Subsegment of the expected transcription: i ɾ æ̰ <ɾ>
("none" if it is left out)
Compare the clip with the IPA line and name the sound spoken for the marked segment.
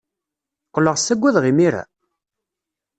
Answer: none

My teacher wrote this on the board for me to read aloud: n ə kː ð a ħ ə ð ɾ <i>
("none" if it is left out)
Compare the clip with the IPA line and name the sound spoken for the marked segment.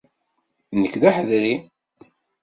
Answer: i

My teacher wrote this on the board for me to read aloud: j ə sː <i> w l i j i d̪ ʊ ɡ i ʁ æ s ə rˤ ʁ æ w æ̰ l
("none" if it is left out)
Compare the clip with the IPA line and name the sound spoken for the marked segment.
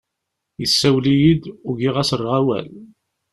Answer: æ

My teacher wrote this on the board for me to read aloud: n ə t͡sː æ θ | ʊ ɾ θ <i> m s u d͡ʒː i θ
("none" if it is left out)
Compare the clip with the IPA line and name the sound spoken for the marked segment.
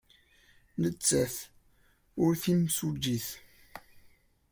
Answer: i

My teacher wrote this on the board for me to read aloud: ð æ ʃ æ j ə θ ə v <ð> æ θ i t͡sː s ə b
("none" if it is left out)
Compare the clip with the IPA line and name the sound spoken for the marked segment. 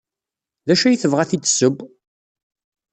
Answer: ʁ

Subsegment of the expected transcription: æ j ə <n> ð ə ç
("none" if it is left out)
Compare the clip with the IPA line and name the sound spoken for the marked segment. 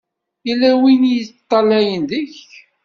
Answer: n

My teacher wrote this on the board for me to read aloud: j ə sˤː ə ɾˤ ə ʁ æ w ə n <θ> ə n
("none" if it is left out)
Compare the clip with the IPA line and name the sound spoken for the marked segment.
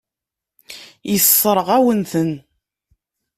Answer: θ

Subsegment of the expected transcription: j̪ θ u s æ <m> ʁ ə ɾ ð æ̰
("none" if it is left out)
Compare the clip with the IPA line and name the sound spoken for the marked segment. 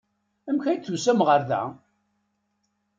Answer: m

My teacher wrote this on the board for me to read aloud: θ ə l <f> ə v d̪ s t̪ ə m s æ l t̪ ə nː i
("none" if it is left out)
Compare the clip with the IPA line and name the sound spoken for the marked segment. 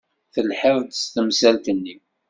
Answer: ħ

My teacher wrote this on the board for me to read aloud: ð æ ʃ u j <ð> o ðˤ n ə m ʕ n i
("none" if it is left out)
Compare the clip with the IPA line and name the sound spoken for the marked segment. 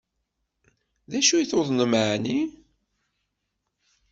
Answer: θ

